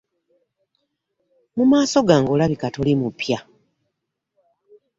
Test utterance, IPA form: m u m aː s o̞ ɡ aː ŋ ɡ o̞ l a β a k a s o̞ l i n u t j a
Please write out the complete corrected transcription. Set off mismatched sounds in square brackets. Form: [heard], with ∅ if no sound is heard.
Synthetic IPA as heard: m u m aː s o̞ ɡ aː ŋ ɡ o̞ l a β [i] k a [t] o̞ l i [m] u [p] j a